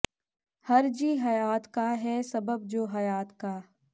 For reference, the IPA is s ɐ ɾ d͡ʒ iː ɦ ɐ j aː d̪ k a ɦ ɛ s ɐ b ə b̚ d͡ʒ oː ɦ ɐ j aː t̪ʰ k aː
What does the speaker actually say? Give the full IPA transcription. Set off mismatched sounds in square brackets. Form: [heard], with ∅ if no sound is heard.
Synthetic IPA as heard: [h] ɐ ɾ d͡ʒ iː ɦ ɐ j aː [t̪] k a ɦ ɛ s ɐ b ə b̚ d͡ʒ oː ɦ ɐ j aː [t̪] k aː